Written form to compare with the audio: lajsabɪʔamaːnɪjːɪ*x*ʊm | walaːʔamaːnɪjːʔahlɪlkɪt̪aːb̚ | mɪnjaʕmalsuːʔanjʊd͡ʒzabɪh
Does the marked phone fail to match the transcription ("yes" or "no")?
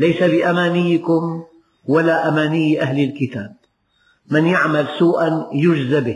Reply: yes